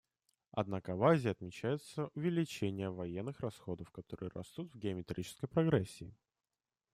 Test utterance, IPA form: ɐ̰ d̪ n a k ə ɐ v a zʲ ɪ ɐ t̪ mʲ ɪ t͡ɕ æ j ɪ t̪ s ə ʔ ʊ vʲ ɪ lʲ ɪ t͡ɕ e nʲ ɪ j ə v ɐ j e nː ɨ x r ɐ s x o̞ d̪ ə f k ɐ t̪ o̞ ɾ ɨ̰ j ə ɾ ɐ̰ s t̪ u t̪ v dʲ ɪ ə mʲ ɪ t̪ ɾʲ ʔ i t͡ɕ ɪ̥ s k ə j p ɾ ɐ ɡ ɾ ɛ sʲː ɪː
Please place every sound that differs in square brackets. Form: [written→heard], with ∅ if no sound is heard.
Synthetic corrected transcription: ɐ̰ d̪ n a k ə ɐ v a zʲ ɪ ɐ t̪ mʲ ɪ t͡ɕ æ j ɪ t̪ s ə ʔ ʊ vʲ ɪ lʲ ɪ t͡ɕ e nʲ ɪ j ə v ɐ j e nː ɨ x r ɐ s x o̞ d̪ ə f k ɐ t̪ o̞ ɾ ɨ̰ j ə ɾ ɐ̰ s t̪ u t̪ v [dʲ→ɡʲ] ɪ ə mʲ ɪ t̪ ɾʲ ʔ i t͡ɕ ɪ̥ s k ə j p ɾ ɐ ɡ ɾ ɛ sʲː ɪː